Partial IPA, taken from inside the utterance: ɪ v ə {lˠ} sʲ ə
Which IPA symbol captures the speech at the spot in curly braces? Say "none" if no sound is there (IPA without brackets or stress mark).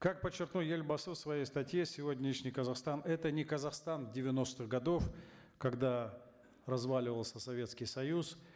lˠ